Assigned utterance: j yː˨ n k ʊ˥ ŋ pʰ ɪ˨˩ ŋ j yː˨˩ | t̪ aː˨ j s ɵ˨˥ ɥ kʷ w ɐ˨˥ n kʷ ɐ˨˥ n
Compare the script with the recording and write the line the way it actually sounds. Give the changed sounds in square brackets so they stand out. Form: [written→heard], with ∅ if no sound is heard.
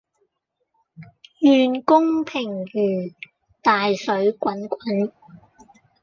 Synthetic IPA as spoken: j yː˨ n k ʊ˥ ŋ pʰ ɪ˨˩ ŋ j yː˨˩ | t̪ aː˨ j s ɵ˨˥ ɥ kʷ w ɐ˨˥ n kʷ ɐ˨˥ n